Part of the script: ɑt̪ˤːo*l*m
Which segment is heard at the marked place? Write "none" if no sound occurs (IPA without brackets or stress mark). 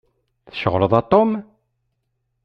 none